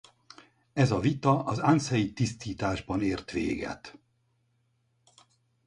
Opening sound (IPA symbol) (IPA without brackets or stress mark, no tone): ɛ